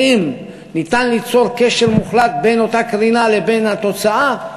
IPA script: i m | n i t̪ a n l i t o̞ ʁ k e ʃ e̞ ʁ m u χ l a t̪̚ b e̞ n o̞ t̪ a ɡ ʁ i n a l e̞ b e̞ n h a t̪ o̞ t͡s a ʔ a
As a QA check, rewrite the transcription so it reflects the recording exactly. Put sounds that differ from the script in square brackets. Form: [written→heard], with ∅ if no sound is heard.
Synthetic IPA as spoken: i m | n i t̪ a n l i [t→t͡s] o̞ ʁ k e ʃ e̞ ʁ m u χ l a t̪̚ b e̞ n o̞ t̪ a [ɡ→k] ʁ i n a l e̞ b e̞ n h a t̪ o̞ t͡s a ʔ a